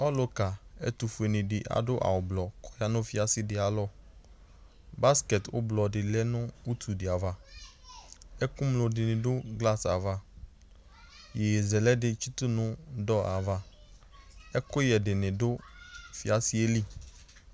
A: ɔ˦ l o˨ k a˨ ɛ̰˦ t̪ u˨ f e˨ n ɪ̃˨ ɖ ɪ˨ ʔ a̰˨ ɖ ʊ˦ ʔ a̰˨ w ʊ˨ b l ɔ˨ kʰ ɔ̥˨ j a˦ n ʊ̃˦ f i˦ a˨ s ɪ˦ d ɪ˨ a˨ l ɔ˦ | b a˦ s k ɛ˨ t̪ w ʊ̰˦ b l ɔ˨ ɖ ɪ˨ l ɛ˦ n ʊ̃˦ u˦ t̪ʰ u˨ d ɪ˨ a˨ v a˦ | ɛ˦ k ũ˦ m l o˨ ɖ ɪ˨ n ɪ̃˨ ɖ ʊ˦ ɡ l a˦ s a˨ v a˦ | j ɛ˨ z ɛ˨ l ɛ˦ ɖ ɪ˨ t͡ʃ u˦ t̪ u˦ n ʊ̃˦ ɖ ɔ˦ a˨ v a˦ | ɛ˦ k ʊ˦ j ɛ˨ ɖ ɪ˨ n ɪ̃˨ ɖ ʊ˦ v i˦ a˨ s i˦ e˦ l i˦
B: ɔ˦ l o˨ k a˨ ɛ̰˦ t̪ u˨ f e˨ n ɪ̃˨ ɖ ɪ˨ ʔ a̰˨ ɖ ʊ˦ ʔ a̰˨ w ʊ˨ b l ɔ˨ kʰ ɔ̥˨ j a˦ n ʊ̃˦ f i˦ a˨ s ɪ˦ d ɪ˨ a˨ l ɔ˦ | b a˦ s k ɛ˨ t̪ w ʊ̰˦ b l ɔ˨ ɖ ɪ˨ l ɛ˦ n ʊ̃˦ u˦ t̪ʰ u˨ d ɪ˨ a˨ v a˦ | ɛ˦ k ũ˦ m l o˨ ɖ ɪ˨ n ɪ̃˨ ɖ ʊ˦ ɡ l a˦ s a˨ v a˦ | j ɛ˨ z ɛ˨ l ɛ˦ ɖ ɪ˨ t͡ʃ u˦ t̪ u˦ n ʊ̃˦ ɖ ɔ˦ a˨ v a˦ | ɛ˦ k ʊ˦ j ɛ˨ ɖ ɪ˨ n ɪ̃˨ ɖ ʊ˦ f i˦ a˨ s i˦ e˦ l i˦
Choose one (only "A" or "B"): B